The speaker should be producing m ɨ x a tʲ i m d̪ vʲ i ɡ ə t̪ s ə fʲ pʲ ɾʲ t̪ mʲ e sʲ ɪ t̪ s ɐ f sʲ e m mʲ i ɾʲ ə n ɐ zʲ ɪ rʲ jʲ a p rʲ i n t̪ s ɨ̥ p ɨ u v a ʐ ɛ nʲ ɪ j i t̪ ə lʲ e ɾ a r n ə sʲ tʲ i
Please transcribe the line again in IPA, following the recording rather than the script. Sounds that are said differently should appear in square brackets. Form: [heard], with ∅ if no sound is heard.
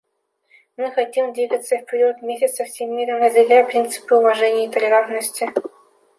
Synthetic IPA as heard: m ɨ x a tʲ i m d̪ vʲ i ɡ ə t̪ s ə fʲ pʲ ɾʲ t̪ mʲ e sʲ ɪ t̪ s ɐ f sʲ e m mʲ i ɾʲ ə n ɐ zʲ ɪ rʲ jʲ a p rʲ i n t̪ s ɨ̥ p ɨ u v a ʐ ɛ nʲ ɪ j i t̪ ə lʲ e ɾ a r n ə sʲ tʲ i

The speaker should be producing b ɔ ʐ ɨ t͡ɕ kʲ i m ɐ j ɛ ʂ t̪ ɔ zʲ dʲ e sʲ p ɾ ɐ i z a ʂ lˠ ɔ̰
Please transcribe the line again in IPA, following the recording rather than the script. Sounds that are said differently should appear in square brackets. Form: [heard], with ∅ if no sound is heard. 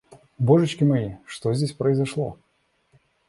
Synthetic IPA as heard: b ɔ ʐ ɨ t͡ɕ kʲ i m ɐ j [i] ʂ t̪ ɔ zʲ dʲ e sʲ p ɾ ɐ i z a ʂ lˠ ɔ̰

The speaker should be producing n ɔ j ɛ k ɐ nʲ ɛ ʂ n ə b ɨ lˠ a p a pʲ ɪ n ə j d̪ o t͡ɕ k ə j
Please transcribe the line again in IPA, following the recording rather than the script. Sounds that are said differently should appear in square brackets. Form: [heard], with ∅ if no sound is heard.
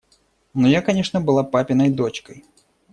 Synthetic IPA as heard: n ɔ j [a] k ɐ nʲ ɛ ʂ n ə b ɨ lˠ a p a pʲ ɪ n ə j d̪ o t͡ɕ k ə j

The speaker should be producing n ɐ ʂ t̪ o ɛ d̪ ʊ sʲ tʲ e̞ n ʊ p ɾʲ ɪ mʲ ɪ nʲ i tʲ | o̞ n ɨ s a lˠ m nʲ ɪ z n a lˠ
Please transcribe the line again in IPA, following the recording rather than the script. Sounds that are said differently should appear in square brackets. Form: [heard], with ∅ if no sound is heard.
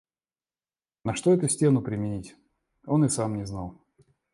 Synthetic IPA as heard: n ɐ ʂ t̪ o ɛ [t̪] ʊ sʲ tʲ e̞ n ʊ p ɾʲ ɪ mʲ ɪ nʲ i tʲ | o̞ n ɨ s a [∅] m nʲ ɪ z n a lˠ

